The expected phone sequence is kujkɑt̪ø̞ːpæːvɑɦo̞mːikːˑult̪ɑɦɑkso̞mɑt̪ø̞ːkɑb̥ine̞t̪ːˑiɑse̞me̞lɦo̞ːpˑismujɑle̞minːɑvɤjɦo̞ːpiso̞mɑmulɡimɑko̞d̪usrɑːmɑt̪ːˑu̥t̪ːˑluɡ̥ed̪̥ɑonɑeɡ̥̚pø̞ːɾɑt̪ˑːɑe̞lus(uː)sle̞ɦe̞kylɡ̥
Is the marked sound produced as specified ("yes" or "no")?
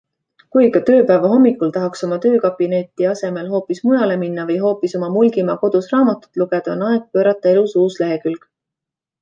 yes